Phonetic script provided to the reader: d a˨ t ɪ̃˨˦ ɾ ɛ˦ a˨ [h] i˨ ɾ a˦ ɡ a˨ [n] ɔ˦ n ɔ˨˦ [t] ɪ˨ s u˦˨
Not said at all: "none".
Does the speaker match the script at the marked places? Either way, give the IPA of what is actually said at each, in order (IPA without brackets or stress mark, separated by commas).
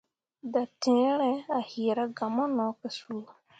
h, m, k